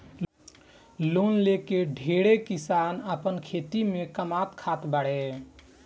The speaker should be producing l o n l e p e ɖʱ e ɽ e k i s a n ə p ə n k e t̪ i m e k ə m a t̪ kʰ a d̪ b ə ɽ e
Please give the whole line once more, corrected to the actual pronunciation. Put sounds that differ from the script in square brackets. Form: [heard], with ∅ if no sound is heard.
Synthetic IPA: l o n l e [k] e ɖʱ e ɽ e k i s a n ə p ə n [kʰ] e t̪ i m e k ə m a t̪ kʰ a [t̪] b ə ɽ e